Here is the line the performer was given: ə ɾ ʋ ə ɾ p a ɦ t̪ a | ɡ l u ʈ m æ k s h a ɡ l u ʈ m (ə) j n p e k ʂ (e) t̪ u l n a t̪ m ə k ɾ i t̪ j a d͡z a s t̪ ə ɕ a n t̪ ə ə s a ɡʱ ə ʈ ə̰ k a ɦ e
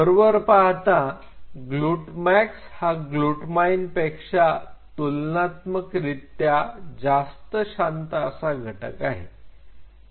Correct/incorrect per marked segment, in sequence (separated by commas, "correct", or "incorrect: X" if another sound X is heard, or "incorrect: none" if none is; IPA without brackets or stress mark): incorrect: a, incorrect: a